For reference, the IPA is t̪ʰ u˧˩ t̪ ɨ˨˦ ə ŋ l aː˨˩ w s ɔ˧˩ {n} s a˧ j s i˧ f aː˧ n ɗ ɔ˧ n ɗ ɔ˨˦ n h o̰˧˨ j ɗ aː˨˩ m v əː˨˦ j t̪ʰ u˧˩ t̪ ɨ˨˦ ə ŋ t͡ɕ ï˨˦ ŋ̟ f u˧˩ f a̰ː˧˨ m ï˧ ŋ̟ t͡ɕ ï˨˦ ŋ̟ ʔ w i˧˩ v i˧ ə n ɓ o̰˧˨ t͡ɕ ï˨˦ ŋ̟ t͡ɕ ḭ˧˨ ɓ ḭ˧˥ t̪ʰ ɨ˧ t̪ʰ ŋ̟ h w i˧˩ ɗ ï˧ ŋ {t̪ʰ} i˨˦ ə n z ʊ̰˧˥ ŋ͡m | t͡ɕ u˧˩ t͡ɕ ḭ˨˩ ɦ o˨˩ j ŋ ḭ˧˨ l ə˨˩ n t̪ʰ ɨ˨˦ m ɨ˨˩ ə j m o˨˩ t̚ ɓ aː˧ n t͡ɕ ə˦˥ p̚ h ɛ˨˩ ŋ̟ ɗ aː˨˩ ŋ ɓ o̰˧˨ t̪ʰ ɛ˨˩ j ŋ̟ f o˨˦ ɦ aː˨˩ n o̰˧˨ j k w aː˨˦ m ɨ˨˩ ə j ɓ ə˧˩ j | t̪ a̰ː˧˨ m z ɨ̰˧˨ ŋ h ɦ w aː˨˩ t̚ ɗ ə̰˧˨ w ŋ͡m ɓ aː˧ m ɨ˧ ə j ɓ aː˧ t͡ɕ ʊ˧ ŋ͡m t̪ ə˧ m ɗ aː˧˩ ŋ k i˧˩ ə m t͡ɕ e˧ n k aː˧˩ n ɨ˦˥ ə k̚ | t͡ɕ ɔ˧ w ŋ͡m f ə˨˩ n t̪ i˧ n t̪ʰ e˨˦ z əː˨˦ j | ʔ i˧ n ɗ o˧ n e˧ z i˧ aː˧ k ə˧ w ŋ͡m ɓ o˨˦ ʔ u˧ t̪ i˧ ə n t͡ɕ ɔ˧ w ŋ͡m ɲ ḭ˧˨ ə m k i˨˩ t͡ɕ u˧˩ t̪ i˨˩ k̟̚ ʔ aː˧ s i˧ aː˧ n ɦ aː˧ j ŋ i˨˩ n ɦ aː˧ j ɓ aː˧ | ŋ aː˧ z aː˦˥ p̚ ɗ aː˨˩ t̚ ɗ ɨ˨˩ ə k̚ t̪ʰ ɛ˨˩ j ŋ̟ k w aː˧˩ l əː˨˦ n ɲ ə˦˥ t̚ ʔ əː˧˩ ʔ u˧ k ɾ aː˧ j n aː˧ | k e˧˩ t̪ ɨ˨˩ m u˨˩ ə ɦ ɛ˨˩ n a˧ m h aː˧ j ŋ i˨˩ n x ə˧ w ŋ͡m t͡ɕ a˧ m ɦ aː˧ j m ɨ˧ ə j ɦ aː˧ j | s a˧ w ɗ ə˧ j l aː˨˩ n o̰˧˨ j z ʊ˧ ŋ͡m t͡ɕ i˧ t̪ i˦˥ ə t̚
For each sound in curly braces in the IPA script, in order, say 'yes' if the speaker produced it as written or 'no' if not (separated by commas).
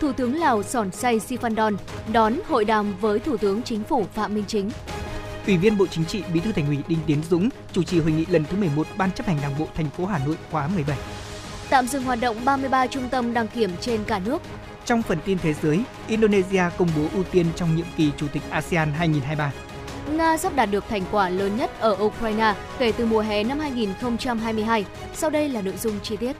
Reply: yes, no